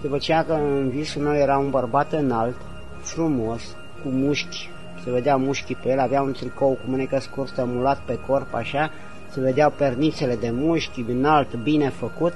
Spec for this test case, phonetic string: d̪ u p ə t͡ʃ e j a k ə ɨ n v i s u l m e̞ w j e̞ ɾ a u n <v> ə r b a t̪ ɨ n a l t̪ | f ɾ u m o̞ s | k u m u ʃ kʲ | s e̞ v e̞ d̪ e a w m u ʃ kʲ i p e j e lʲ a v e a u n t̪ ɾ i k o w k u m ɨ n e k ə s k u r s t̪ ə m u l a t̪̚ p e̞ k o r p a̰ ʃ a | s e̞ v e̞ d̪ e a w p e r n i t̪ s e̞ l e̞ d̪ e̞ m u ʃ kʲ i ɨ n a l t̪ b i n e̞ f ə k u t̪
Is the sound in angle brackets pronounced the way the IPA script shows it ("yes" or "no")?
no